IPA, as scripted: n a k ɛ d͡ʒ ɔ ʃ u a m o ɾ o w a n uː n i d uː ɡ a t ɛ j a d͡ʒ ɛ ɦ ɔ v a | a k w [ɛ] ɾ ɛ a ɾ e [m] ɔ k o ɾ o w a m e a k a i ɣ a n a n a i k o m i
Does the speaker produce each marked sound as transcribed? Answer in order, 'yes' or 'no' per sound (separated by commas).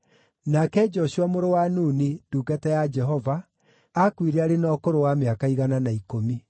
no, no